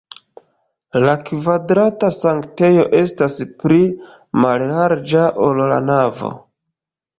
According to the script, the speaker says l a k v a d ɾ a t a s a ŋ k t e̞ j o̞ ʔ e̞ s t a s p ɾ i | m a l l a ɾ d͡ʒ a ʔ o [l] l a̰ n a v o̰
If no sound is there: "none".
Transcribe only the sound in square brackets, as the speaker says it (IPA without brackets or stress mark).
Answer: l